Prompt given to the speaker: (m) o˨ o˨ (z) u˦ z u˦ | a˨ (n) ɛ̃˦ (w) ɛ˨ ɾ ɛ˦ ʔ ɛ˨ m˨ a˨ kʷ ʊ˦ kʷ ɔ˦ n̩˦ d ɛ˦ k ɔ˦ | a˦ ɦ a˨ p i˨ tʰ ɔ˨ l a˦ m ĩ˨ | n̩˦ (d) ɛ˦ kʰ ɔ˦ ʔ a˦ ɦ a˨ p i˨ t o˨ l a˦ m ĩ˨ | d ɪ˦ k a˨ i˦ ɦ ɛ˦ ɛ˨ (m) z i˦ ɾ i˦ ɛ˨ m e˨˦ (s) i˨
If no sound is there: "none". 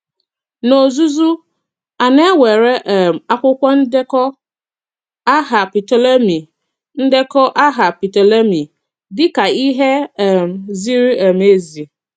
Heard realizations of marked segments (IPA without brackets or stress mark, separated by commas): n, z, n, w, d, m, z